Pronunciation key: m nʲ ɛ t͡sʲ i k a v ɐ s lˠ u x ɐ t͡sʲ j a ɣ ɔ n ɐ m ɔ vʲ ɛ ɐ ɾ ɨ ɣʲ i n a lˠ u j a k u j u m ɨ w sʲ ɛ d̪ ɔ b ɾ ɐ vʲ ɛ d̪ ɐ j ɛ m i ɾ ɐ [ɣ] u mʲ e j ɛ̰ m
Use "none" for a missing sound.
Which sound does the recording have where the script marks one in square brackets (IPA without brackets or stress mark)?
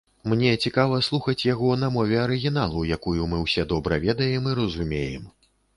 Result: z